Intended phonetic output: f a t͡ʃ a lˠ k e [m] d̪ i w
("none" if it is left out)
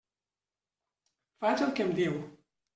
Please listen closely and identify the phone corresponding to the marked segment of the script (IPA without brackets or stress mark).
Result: m